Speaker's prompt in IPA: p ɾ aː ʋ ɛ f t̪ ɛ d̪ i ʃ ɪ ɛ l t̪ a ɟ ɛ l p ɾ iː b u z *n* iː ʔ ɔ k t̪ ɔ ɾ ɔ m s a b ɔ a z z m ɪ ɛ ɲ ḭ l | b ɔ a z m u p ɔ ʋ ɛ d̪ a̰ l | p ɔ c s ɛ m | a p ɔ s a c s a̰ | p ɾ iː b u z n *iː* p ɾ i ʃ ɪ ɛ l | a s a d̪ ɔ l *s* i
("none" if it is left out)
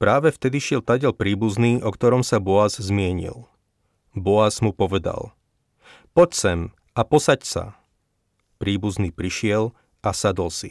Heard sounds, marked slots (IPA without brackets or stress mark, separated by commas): n, iː, s